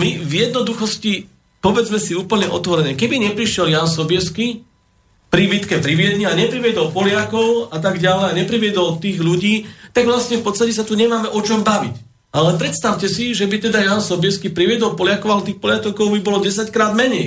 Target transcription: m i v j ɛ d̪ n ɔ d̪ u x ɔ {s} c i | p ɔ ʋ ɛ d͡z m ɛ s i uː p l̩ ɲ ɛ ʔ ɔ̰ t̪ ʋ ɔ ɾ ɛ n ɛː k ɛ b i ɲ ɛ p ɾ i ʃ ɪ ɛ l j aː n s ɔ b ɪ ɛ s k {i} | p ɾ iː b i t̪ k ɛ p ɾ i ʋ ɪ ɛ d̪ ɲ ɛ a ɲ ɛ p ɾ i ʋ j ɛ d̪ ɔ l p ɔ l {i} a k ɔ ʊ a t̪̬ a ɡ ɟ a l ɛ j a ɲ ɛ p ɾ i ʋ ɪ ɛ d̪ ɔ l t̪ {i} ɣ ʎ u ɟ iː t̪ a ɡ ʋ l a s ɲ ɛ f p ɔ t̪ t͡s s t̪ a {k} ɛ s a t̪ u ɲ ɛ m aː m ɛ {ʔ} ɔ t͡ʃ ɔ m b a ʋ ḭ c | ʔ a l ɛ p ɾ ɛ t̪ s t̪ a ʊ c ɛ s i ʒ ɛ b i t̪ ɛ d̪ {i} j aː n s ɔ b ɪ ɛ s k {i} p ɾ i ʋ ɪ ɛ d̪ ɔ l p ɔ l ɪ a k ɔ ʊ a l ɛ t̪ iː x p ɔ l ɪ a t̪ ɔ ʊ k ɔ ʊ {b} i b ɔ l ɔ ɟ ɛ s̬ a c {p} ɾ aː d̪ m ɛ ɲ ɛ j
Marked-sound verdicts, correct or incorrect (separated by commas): correct, correct, incorrect, incorrect, incorrect, correct, incorrect, correct, correct, incorrect